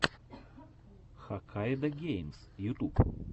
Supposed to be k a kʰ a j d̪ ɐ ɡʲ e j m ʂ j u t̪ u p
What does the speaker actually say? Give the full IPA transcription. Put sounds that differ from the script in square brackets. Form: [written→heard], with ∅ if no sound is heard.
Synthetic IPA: [k→x] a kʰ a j d̪ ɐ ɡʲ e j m [ʂ→s] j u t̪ u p